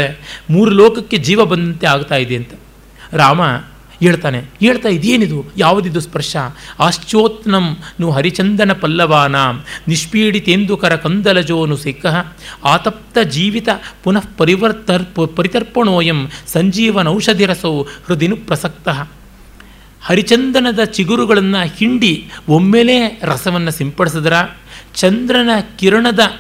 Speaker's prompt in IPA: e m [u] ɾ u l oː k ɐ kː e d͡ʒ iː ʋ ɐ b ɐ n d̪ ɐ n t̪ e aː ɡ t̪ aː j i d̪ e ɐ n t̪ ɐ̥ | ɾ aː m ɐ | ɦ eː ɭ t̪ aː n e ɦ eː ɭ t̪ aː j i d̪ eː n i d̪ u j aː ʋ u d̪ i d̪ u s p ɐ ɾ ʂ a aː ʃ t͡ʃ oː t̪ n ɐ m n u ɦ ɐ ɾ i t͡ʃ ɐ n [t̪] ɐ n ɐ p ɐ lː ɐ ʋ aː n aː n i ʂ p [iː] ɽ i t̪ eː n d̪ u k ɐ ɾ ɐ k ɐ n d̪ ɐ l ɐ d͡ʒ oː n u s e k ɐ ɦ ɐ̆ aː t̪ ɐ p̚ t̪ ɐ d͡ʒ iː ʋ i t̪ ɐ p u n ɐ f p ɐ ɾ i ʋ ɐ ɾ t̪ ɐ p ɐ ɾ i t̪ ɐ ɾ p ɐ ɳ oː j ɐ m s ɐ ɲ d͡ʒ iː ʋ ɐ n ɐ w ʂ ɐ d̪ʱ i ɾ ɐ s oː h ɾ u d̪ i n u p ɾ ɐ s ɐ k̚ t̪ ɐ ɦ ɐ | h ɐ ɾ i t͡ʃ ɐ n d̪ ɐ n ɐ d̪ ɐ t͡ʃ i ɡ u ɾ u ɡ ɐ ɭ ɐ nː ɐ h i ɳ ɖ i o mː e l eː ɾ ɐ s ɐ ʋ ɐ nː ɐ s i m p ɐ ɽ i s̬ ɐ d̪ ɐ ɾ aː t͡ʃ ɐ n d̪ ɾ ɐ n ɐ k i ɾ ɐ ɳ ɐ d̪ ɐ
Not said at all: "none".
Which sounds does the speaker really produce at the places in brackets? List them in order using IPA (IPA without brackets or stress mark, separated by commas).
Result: uː, d̪, iː